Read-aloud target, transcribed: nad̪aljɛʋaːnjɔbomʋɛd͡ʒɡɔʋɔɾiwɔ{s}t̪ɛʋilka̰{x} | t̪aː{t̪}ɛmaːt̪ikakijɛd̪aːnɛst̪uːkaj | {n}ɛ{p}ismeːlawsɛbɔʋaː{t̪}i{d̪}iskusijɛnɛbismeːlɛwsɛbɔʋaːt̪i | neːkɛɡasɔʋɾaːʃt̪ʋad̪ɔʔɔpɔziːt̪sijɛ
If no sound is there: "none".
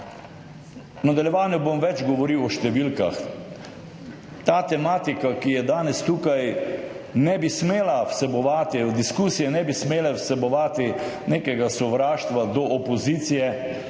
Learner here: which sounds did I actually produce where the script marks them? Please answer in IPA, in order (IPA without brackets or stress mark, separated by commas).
ʃ, x, t̪, n, b, t̪, d̪